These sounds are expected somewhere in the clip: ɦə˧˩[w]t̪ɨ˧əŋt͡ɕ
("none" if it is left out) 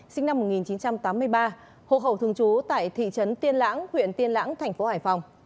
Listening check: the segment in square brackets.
w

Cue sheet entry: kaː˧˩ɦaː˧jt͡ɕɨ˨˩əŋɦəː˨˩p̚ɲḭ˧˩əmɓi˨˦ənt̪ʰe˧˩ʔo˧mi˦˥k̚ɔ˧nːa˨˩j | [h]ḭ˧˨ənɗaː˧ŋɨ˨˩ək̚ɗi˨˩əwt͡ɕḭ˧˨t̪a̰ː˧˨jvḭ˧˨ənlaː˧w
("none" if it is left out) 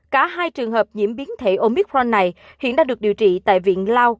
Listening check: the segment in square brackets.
h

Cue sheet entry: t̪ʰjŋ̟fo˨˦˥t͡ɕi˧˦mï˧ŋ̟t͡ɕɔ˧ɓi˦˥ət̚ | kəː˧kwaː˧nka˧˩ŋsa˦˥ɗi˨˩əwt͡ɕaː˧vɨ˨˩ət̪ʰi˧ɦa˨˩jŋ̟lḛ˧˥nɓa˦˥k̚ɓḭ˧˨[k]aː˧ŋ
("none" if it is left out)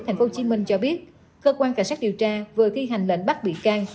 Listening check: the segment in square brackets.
k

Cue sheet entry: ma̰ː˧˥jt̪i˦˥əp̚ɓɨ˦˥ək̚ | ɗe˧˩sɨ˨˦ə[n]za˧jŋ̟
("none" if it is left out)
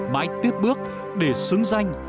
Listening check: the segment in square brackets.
ŋ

